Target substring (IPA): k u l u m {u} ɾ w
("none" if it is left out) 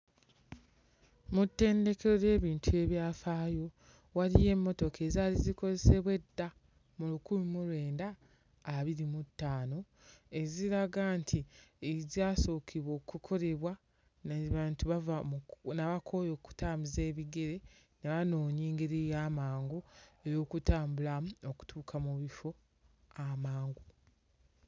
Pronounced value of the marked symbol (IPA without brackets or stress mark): u